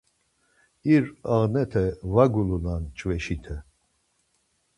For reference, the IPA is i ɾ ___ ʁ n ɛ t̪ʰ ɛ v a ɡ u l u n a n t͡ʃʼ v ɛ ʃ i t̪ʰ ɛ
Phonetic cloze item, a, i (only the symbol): a